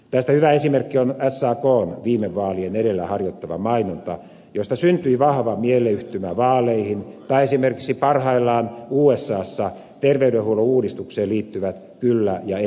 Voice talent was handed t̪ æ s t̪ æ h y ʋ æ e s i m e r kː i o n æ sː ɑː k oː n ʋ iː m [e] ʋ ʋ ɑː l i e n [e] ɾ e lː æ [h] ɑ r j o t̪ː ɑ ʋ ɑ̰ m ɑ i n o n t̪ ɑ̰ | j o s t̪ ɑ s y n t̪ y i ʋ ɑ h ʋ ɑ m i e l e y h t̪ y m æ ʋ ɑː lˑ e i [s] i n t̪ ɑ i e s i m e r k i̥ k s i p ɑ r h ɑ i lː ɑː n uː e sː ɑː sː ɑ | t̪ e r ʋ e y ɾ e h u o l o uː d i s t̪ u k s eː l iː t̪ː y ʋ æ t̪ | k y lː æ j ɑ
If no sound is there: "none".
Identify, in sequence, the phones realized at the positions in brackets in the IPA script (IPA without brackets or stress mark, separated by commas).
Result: e, e, h, h